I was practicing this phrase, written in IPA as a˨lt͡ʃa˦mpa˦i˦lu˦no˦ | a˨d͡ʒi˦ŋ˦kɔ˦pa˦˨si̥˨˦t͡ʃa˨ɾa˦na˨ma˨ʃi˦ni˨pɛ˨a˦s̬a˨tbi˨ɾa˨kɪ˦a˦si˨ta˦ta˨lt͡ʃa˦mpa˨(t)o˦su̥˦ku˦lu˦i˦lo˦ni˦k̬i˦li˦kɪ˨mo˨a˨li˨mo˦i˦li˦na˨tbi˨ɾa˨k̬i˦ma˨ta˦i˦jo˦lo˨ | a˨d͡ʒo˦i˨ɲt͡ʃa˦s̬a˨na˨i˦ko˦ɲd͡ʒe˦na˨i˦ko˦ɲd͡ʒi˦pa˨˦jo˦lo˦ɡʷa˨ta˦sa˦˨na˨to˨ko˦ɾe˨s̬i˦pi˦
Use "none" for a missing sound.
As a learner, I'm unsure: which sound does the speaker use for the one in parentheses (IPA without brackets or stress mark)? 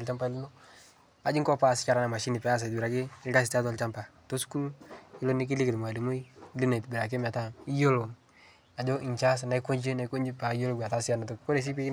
t